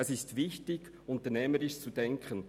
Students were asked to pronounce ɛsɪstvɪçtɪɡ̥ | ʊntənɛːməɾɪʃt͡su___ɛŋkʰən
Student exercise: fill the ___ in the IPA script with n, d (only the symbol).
d